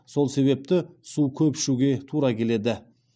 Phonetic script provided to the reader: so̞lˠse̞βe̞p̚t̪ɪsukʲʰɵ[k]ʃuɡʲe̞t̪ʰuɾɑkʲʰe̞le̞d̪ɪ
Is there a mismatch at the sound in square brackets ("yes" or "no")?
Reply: yes